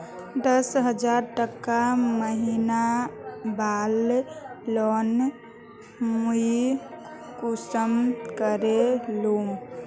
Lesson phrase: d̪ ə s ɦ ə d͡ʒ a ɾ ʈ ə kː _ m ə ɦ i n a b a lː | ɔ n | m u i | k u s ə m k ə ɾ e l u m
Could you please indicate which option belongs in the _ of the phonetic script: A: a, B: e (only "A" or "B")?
A